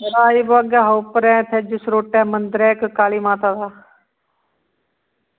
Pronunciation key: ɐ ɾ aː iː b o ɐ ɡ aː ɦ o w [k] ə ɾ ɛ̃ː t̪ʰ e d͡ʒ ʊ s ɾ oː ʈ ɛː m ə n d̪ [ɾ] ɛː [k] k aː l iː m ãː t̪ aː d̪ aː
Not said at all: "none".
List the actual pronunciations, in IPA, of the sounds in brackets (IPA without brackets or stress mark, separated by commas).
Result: p, ɾ, k